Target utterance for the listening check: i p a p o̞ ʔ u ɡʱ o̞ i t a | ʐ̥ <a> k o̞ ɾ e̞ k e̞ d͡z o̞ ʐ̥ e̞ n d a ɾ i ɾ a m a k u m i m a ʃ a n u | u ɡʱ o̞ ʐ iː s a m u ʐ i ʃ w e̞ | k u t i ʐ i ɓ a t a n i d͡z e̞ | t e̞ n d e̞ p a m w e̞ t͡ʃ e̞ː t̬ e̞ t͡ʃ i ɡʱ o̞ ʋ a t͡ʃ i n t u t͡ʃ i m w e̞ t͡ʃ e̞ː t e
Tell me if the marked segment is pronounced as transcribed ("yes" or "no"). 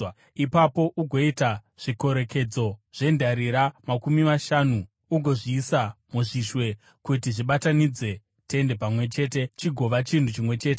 no